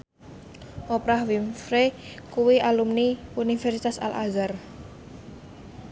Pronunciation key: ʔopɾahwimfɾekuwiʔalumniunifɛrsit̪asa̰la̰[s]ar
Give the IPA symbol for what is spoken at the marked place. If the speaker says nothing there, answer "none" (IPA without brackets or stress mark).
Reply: z